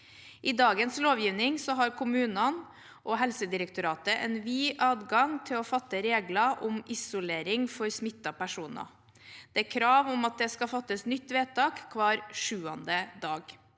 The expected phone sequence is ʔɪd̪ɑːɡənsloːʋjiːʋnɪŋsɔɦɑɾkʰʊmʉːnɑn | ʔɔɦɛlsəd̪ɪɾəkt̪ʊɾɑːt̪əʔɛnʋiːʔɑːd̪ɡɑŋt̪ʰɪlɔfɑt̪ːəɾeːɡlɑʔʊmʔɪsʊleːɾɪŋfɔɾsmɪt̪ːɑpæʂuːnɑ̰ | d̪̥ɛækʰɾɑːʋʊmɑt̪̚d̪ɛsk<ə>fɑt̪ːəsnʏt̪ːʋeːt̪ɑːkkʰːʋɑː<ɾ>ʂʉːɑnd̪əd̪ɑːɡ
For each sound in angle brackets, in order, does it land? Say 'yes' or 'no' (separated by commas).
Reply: no, yes